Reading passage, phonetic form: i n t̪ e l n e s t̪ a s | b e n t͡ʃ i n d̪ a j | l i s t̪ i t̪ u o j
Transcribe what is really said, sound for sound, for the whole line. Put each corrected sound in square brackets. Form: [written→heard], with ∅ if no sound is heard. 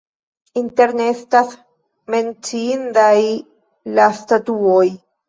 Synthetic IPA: i n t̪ e [l→ɾ] n e s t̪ a s | [b→m] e n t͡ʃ i n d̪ a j | l [i→a] s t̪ [i→a] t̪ u o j

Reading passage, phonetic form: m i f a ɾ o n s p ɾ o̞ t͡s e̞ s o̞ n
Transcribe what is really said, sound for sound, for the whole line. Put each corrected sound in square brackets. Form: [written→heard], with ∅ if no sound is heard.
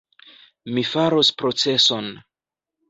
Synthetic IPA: m i f a ɾ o [n→∅] s p ɾ o̞ t͡s e̞ s o̞ n

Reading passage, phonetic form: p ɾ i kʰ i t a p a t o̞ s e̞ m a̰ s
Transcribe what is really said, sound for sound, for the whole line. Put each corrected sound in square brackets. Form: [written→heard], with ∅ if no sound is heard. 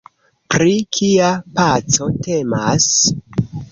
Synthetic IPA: p ɾ i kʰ i [t→∅] a p a [t→t͡s] o̞ [s→t] e̞ m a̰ s

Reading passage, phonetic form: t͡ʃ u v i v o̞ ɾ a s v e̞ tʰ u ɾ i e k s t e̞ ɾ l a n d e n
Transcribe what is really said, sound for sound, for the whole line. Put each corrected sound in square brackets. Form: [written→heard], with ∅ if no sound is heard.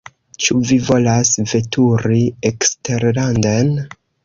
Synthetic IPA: t͡ʃ u v i v o̞ [ɾ→l] a s v e̞ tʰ u ɾ i e k s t e̞ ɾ l a n d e n

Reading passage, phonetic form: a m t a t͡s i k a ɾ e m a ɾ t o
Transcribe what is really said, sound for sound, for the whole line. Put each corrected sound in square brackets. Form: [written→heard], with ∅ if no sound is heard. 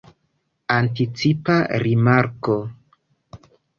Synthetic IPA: a [m→n] t [a→i] t͡s i [k→p] a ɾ [e→i] m a ɾ [t→k] o

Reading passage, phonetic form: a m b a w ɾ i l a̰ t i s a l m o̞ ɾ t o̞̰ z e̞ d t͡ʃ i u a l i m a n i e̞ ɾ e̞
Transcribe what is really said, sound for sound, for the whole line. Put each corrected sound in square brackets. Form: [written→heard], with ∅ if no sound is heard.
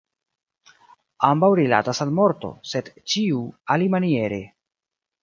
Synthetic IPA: a m b a w ɾ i l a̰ t [i→a] s a l m o̞ ɾ t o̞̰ [z→s] e̞ d t͡ʃ i u a l i m a n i e̞ ɾ e̞

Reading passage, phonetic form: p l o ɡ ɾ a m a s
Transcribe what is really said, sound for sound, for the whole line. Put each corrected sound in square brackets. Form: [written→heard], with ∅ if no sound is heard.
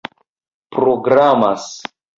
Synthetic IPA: p [l→ɾ] o ɡ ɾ a m a s

